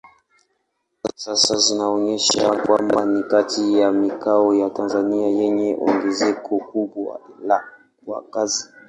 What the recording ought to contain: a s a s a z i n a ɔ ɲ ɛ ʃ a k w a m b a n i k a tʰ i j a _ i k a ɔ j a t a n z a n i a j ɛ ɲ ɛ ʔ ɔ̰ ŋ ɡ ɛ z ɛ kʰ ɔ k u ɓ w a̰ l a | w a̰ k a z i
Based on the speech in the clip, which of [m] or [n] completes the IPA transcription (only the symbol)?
m